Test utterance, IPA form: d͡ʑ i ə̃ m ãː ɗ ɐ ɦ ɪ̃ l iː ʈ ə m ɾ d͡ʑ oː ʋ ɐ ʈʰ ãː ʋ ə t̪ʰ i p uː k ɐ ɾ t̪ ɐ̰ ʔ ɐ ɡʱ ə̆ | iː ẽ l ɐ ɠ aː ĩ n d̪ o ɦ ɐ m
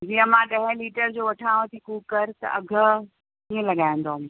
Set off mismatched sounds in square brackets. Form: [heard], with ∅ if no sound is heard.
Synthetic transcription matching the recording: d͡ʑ i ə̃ m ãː ɗ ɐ ɦ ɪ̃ l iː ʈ ə [∅] ɾ d͡ʑ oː ʋ ɐ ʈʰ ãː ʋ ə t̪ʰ i [k] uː k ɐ ɾ t̪ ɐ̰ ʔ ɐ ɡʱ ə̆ | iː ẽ l ɐ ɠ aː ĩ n d̪ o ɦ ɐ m